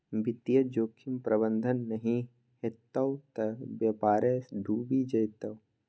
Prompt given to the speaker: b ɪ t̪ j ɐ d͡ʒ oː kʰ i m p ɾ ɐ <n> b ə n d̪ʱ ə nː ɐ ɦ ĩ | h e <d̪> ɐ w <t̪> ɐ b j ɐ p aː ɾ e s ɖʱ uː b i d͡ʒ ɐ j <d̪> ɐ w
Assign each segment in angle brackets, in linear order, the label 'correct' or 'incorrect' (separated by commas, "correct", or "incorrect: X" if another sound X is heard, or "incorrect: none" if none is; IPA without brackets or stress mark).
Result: incorrect: none, incorrect: t̪, correct, incorrect: t̪